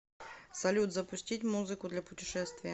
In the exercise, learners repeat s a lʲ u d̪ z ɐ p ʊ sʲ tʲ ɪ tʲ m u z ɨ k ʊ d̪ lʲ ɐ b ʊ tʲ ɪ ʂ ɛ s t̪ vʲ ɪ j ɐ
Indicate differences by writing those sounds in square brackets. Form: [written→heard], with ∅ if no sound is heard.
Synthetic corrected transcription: s [a→ɐ] lʲ u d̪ z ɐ p ʊ sʲ tʲ [ɪ→i] tʲ m u z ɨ k ʊ d̪ lʲ ɐ [b→p] ʊ tʲ ɪ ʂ ɛ s t̪ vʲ ɪ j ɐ

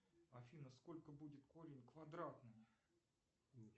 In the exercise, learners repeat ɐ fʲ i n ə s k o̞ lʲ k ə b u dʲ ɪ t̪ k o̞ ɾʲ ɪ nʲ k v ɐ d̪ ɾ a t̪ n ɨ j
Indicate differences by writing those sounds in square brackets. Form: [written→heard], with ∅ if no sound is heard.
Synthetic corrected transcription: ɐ fʲ i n ə s k o̞ lʲ k ə b u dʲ ɪ t̪ k o̞ ɾʲ ɪ nʲ k v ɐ d̪ ɾ a t̪ n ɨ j

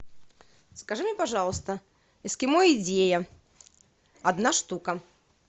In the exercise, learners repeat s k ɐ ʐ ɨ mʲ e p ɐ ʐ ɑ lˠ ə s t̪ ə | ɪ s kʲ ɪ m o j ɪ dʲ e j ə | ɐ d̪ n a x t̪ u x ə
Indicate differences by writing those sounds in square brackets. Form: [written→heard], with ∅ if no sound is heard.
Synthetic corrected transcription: s k ɐ ʐ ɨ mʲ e p ɐ ʐ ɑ lˠ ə s t̪ ə | ɪ s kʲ ɪ m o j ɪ dʲ e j ə | ɐ d̪ n a [x→ʂ] t̪ u [x→k] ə

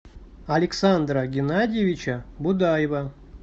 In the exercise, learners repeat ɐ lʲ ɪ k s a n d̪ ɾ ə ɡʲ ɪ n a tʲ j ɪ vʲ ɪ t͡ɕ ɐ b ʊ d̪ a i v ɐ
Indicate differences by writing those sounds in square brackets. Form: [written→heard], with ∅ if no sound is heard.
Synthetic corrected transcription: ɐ lʲ ɪ k s a n d̪ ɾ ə ɡʲ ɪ n a [tʲ→dʲ] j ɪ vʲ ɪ t͡ɕ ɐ b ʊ d̪ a [i→j] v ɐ

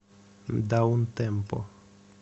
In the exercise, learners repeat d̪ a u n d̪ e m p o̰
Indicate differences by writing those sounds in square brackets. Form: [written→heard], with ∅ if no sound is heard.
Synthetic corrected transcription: d̪ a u n [d̪→t̪] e m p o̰

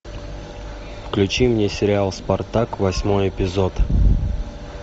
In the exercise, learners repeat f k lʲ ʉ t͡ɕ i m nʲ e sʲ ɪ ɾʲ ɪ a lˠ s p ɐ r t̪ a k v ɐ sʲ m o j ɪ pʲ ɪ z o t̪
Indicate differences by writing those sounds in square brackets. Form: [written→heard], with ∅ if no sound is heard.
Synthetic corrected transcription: f k lʲ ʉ t͡ɕ i m nʲ e sʲ ɪ ɾʲ ɪ a lˠ s p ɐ r t̪ a k v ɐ sʲ m o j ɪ pʲ ɪ z o t̪

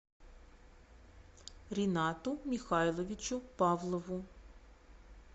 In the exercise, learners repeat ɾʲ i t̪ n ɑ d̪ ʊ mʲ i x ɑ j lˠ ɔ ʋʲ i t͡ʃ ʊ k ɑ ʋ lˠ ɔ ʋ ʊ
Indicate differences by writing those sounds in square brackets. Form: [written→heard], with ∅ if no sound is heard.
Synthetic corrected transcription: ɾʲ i [t̪→∅] n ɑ [d̪→t̪] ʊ mʲ i x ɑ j lˠ ɔ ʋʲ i t͡ʃ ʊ [k→p] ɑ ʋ lˠ ɔ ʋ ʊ

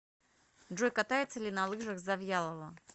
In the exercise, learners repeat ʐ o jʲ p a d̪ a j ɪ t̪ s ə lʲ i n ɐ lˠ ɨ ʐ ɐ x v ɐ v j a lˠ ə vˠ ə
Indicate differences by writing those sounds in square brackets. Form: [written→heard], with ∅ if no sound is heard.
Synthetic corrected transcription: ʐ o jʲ [p→k] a [d̪→t̪] a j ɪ t̪ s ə lʲ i n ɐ lˠ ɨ ʐ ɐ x [v→z] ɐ v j a lˠ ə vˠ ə

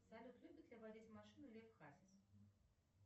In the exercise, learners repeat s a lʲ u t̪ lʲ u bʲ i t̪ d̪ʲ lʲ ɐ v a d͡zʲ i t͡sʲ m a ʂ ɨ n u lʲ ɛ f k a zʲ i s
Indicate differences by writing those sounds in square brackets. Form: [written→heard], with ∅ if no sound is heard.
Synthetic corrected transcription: s a lʲ u t̪ lʲ u bʲ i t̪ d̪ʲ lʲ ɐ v a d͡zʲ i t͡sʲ m a ʂ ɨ n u lʲ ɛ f [k→x] a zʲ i s

